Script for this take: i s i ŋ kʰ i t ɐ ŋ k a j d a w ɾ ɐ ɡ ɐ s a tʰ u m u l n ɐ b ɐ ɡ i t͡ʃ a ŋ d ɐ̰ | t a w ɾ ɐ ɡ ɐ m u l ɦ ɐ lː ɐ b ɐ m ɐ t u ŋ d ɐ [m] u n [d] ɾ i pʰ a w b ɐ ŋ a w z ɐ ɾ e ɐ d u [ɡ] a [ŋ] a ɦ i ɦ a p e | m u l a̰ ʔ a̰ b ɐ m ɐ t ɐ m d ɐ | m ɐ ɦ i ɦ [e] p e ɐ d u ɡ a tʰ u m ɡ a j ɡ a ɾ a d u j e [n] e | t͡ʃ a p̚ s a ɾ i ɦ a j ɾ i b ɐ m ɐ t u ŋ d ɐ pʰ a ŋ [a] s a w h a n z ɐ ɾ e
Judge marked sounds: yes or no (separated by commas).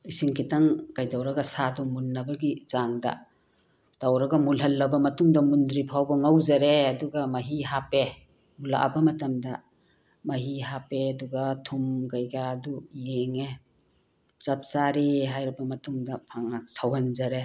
yes, yes, yes, no, no, no, yes